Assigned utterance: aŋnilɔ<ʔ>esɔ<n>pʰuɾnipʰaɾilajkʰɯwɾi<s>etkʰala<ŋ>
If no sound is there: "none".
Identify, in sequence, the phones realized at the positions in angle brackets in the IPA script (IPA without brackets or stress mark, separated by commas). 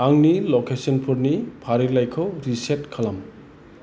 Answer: k, n, s, m